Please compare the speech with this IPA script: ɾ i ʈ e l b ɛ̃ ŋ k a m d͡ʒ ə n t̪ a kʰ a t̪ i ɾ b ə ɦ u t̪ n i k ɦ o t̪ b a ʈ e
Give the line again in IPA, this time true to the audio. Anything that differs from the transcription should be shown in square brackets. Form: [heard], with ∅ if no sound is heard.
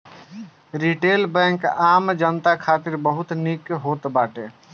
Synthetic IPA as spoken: ɾ i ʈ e l b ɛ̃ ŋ k a m d͡ʒ ə n t̪ a kʰ a t̪ i ɾ b ə ɦ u t̪ n i k ɦ o t̪ b a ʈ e